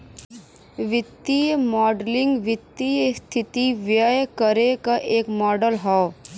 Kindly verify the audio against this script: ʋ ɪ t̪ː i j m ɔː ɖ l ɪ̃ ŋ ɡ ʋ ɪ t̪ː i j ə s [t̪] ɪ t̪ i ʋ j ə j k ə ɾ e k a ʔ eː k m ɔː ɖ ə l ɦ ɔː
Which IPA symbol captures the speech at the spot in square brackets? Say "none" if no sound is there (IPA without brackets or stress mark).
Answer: t̪ʰ